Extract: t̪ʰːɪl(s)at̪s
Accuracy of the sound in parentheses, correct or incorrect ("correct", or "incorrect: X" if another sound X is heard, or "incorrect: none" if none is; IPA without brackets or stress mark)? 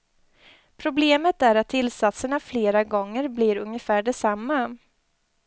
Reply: correct